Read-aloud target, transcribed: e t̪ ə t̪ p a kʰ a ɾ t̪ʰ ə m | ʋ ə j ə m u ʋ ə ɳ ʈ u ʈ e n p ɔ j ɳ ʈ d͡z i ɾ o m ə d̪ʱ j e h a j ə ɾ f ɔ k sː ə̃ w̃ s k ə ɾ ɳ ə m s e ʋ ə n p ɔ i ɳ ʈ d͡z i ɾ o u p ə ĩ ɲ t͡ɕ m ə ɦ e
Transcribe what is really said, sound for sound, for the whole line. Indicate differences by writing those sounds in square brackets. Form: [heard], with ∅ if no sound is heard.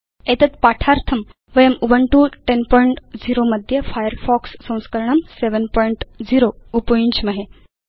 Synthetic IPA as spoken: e t̪ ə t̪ p a [ʈʰ] a ɾ t̪ʰ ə m | ʋ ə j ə m u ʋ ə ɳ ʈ u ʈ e n p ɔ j ɳ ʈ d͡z i ɾ o m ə d̪ʱ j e [f] a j ə ɾ f ɔ k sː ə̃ w̃ s k ə ɾ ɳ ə m s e ʋ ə n p ɔ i ɳ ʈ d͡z i ɾ o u p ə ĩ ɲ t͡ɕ m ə ɦ e